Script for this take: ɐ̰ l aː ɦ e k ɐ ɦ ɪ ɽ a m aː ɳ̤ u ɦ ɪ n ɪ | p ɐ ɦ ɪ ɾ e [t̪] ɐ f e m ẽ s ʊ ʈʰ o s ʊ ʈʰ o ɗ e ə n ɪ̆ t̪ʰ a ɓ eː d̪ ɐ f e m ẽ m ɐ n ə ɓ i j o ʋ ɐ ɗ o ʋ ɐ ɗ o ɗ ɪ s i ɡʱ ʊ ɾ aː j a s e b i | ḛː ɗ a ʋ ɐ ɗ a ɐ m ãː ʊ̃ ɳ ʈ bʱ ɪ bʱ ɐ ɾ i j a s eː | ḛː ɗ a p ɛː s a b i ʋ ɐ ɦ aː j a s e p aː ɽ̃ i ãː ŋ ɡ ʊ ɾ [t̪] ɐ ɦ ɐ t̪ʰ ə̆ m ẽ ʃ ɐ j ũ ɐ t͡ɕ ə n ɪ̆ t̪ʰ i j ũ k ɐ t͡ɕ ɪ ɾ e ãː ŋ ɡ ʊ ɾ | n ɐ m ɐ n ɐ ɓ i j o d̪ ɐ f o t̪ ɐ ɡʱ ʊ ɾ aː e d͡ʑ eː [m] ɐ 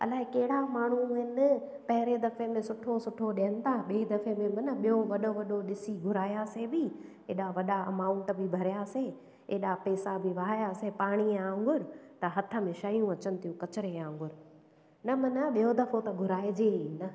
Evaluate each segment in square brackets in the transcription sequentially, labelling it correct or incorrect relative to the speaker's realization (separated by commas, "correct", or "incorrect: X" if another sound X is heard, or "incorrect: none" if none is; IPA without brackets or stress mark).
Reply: incorrect: d̪, correct, incorrect: n